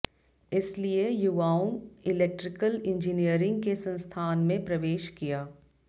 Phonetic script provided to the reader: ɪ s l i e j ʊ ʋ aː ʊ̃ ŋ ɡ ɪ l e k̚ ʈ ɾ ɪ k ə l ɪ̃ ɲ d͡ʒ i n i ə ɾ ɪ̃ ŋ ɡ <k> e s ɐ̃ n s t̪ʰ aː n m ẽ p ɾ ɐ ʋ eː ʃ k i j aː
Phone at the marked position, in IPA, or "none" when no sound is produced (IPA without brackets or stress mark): k